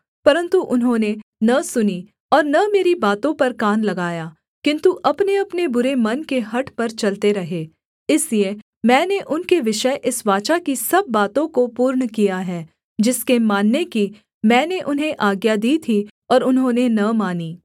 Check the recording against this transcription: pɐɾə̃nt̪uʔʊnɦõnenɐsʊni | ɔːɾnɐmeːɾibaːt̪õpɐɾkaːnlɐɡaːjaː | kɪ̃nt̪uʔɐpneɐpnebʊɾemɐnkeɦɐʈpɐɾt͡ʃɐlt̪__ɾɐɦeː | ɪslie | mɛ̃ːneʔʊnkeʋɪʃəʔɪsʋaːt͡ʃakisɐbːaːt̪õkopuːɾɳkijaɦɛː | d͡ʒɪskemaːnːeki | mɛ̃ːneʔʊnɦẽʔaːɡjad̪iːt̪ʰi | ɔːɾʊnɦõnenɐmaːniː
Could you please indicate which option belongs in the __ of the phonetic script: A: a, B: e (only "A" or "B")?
B